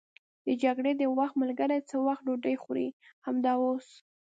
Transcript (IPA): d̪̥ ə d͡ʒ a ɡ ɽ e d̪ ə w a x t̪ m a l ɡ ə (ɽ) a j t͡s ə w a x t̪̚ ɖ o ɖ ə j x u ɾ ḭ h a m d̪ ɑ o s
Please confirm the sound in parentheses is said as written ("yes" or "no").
no